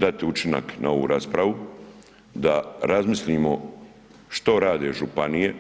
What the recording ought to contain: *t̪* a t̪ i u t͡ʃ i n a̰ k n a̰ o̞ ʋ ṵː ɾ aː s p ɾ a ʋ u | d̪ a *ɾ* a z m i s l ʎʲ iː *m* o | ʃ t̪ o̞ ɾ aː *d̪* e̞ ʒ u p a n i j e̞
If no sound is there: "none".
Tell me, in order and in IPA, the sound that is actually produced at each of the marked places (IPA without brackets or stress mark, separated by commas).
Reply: d̪, ɾ, m, d̪